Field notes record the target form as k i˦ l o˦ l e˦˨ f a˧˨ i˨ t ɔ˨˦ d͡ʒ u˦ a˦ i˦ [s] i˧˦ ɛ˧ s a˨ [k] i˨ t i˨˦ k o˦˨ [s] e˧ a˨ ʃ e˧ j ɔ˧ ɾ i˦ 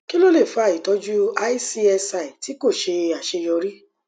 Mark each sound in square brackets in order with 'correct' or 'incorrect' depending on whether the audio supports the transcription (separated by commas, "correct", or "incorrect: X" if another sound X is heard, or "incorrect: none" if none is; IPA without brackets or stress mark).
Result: correct, incorrect: none, incorrect: ʃ